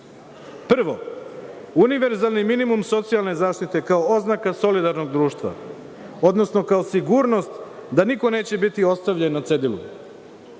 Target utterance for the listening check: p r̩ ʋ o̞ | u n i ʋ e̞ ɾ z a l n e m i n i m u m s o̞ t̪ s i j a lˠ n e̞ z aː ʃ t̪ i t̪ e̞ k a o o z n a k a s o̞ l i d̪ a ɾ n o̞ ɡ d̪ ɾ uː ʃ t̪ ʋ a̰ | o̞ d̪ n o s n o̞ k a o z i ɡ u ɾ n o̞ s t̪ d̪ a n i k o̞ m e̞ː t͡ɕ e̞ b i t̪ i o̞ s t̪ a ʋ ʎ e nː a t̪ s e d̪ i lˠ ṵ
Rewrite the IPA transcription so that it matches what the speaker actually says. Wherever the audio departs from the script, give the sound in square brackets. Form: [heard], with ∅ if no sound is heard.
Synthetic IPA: p r̩ ʋ o̞ | u n i ʋ e̞ ɾ z a l n [i] m i n i m u m s o̞ t̪ s i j a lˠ n e̞ z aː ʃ t̪ i t̪ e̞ k a o o z n a k a s o̞ l i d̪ a ɾ n o̞ ɡ d̪ ɾ uː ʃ t̪ ʋ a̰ | o̞ d̪ n o s n o̞ k a o [s] i ɡ u ɾ n o̞ s t̪ d̪ a n i k o̞ [n] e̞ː t͡ɕ e̞ b i t̪ i o̞ s t̪ a ʋ ʎ e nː a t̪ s e d̪ i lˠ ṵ